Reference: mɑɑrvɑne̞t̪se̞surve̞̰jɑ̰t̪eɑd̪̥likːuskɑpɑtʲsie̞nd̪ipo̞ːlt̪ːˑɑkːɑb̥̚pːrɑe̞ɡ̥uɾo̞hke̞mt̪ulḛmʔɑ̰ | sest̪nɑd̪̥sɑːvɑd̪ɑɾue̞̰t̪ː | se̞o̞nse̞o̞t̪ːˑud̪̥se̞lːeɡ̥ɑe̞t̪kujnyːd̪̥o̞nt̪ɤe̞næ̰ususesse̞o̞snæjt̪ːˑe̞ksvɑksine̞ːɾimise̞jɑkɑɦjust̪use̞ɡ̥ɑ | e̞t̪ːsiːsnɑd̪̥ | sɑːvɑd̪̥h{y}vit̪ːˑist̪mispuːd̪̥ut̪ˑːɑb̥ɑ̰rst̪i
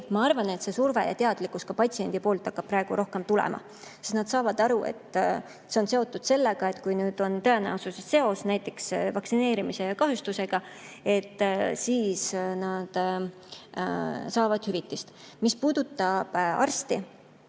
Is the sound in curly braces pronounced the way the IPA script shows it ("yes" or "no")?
yes